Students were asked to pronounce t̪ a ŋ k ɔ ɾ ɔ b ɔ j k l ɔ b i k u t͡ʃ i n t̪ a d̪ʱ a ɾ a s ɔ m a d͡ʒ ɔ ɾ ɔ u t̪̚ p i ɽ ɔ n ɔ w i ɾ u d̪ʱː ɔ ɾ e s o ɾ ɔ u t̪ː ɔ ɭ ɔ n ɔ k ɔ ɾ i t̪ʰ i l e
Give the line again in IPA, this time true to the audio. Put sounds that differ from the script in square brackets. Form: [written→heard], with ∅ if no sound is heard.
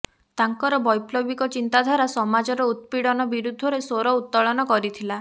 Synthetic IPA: t̪ a ŋ k ɔ ɾ ɔ b ɔ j [k→p] l ɔ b i k [u→ɔ] t͡ʃ i n t̪ a d̪ʱ a ɾ a s ɔ m a d͡ʒ ɔ ɾ ɔ u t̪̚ p i ɽ ɔ n ɔ [w→b] i ɾ u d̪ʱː ɔ ɾ e s o ɾ ɔ u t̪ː ɔ ɭ ɔ n ɔ k ɔ ɾ i t̪ʰ i l [e→a]